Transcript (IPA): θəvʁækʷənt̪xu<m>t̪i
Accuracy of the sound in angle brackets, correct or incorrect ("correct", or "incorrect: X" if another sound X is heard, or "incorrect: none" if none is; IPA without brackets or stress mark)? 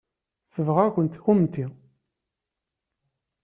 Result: correct